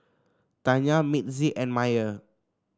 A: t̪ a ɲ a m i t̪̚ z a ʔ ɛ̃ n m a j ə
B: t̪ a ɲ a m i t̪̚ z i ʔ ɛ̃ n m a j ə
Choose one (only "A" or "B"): B